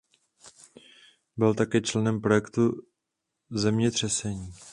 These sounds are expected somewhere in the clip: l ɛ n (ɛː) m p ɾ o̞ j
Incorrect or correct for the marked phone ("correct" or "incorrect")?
incorrect